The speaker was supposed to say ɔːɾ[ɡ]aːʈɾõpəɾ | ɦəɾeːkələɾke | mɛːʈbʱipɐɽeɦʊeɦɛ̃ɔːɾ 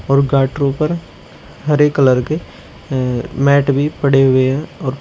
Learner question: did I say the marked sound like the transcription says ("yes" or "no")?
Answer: yes